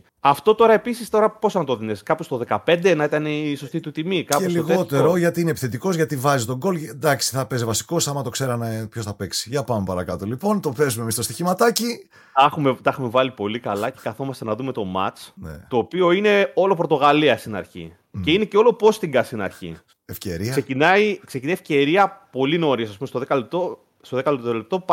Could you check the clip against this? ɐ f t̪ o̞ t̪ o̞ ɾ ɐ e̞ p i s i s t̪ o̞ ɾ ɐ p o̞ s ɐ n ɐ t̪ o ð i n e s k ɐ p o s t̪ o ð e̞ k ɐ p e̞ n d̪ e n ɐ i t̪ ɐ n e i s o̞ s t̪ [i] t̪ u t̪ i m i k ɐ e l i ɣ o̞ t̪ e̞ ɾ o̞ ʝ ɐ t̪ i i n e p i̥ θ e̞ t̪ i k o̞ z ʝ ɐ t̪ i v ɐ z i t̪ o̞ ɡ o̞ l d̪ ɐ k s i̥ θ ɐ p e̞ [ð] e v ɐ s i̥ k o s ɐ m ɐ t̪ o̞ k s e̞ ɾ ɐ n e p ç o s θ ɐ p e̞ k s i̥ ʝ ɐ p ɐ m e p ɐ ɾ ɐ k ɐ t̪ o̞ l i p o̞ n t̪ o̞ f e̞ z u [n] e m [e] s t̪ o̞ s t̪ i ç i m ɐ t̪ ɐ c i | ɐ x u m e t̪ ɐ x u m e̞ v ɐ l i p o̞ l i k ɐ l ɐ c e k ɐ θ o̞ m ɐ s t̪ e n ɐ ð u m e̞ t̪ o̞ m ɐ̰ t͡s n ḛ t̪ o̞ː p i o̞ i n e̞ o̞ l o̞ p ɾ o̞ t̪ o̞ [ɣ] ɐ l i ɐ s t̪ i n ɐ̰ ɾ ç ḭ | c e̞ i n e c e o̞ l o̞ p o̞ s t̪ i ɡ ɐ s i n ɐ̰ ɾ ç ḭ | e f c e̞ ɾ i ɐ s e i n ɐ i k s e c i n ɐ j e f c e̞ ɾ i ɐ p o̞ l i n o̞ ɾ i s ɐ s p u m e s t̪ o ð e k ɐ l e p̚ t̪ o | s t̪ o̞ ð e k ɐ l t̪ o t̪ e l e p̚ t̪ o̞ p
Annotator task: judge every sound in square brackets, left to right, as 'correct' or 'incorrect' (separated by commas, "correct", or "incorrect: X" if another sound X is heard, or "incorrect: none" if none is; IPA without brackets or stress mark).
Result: correct, incorrect: z, incorrect: m, incorrect: i, correct